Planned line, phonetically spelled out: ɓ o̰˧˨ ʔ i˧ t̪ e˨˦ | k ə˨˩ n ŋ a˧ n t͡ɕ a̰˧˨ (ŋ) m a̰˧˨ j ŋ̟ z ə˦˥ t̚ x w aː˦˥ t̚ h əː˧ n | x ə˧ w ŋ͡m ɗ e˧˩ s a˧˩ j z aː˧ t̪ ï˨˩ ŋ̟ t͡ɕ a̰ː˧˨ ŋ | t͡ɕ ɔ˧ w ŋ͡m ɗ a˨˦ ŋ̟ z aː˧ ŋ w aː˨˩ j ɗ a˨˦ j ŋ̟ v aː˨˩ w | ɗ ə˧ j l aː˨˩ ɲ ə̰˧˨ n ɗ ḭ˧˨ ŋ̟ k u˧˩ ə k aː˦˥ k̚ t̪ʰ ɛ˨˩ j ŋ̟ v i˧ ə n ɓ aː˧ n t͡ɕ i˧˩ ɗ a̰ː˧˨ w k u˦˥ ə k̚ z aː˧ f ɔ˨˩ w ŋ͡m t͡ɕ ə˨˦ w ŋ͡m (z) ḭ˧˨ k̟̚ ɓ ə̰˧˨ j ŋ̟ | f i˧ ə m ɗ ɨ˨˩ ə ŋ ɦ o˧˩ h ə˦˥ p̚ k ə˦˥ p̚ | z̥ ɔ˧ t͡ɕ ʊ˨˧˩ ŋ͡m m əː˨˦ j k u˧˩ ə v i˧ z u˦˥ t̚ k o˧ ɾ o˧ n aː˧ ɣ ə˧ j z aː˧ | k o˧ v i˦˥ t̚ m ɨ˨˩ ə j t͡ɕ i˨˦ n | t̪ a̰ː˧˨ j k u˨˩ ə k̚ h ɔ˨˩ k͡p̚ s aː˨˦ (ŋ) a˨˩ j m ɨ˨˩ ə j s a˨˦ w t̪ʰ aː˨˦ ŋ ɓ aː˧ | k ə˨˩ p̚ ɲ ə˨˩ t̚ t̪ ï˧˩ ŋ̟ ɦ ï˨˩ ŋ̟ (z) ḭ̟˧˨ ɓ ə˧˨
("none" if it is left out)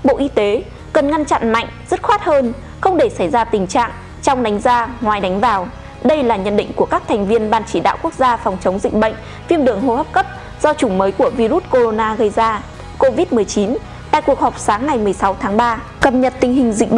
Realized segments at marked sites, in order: n, z, ŋː, z

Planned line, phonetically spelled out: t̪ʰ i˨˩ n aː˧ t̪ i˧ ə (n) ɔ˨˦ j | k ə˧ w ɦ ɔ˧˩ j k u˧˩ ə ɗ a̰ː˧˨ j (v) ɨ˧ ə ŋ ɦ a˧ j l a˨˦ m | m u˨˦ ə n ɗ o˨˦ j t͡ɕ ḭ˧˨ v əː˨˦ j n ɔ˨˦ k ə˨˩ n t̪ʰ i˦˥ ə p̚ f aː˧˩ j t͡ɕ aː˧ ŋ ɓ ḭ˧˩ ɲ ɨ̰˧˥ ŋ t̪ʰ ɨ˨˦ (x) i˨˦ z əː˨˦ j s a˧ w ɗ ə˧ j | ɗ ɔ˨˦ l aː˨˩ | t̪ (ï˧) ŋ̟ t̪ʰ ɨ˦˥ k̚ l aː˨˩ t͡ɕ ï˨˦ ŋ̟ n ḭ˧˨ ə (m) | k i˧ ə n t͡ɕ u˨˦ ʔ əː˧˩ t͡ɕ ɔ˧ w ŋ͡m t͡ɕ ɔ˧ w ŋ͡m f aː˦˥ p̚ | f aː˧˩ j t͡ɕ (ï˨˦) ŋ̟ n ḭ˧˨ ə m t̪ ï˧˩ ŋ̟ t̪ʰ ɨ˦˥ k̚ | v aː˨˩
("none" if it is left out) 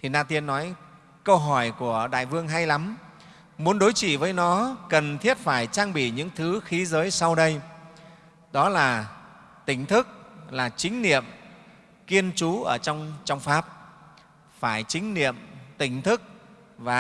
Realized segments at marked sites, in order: nː, v, x, ï˧˩, m, ï˨˦

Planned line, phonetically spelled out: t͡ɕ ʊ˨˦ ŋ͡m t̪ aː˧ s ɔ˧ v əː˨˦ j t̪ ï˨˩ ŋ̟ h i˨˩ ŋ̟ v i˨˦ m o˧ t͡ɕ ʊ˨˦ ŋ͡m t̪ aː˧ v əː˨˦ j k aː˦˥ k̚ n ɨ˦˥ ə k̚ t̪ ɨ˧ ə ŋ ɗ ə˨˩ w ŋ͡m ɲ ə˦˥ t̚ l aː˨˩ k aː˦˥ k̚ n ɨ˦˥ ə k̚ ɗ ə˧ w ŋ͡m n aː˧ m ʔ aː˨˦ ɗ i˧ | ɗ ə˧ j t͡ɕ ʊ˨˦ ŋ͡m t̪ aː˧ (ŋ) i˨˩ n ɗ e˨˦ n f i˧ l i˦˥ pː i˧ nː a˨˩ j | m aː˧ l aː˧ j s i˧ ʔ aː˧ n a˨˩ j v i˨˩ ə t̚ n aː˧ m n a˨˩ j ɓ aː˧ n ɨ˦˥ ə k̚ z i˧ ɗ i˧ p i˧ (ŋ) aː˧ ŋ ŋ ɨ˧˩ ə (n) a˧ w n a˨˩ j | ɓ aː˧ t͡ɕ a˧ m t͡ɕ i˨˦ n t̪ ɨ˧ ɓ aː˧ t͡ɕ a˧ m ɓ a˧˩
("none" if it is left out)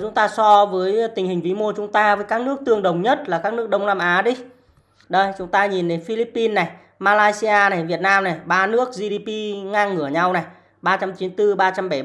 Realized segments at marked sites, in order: ɲ, ŋ, ɲ

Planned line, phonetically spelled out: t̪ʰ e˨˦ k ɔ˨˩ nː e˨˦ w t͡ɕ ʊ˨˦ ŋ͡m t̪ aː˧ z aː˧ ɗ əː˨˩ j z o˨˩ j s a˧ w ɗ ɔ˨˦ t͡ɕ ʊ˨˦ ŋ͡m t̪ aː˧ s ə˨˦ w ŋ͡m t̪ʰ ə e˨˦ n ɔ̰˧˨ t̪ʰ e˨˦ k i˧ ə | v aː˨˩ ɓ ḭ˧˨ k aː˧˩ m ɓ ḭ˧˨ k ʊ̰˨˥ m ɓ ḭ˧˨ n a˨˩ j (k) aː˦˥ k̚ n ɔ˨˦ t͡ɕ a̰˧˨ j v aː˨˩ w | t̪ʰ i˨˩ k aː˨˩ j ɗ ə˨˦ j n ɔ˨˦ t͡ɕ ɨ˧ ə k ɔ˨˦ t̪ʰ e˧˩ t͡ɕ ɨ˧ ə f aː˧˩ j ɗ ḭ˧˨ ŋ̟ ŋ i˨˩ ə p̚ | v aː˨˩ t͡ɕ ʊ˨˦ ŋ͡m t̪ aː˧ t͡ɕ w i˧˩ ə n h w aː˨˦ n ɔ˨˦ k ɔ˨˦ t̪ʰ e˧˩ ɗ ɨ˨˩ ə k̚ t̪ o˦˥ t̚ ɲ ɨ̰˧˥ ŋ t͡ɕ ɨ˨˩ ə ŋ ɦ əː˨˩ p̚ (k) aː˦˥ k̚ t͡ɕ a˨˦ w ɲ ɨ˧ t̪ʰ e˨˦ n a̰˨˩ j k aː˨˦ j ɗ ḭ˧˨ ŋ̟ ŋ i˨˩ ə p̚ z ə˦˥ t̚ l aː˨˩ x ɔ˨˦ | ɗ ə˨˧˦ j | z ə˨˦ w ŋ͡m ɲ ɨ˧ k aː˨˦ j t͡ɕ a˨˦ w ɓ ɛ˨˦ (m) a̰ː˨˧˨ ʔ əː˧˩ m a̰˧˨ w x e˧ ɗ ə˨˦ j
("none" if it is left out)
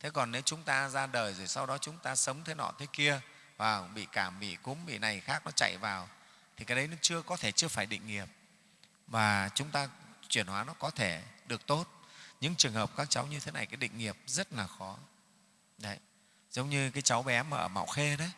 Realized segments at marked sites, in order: x, k, m

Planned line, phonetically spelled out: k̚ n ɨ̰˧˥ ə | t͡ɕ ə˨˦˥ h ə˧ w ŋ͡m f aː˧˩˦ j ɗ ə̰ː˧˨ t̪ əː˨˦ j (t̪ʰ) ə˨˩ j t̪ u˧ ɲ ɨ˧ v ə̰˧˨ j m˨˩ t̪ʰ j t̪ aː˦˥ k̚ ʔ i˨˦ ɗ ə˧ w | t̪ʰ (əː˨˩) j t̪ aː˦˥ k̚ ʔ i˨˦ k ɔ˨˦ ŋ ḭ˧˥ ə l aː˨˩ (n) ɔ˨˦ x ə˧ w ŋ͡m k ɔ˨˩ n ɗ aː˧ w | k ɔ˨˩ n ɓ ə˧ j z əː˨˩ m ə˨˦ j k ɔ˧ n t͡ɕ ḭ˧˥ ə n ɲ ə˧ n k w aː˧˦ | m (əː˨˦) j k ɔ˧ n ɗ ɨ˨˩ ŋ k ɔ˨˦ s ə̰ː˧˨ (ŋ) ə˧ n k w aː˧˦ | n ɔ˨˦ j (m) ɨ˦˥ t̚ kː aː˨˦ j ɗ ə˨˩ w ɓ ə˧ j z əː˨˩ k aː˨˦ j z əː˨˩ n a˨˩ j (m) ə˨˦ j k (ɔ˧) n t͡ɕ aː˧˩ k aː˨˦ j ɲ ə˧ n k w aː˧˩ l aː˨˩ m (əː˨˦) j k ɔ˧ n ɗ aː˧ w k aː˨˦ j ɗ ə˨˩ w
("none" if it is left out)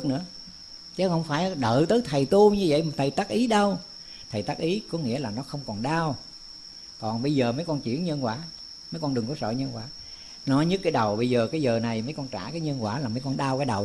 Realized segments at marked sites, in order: t̪ʰ, ə˨˩, n, ə˨˦, ɲ, ɲ, m, ɔ˧, ə˨˦

